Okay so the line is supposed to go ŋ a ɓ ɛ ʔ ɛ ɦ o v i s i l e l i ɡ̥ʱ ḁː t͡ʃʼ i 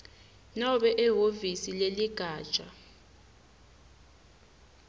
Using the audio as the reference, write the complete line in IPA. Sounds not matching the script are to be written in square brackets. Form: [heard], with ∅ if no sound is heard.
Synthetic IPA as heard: [n] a ɓ ɛ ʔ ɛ ɦ o v i s i l e l i ɡ̥ʱ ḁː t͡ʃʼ [a]